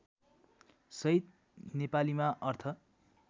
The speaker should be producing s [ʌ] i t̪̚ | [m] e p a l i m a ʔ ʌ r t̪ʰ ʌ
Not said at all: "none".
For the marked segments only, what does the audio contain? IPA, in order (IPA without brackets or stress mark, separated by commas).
ʌ, n